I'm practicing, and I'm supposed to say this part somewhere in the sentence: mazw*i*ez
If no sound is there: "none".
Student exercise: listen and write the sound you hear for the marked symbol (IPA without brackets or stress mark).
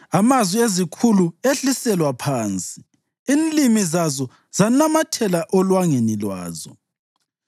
i